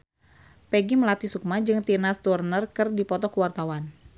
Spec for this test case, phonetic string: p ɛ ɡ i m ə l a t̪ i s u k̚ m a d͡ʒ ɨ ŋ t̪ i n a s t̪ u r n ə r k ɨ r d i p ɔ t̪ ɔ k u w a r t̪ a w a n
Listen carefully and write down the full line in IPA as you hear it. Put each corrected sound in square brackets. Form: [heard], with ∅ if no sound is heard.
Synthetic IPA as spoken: p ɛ ɡ i m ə l a t̪ i s u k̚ m a d͡ʒ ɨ ŋ t̪ i n a s t̪ u r n ə r k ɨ r d i p ɔ t̪ ɔ k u w a r t̪ a w a n